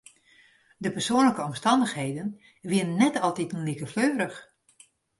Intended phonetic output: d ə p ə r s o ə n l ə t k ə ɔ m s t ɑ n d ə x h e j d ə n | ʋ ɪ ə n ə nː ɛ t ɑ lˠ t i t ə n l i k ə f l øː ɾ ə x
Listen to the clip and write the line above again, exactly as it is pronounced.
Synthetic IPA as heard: d ə p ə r s o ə n l ə k ə ɔ m s t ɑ n d ə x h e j d ə n | ʋ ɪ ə n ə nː ɛ t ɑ lˠ t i t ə n l i k ə f l øː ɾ ə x